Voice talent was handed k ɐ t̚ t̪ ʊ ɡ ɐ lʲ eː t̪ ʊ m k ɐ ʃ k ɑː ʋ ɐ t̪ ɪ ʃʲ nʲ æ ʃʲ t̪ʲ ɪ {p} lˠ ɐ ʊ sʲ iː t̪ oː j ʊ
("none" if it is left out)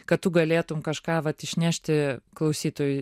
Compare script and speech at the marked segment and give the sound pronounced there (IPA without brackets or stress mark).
k